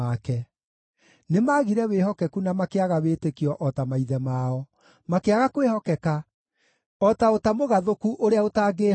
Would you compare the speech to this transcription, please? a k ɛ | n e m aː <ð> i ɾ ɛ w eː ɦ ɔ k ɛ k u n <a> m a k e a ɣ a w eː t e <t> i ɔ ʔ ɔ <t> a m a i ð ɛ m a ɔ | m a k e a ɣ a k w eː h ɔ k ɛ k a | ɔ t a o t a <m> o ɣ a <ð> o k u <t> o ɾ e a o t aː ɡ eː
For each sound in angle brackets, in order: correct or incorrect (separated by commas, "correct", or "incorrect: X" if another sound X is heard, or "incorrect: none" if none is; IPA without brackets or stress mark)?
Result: incorrect: ɣ, correct, incorrect: k, correct, correct, correct, incorrect: ʔ